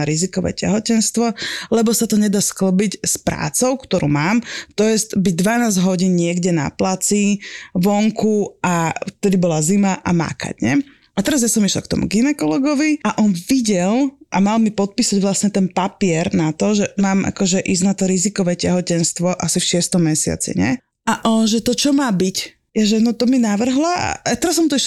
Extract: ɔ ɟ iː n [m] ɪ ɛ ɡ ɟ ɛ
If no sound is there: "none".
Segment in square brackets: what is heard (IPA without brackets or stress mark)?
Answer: ɲ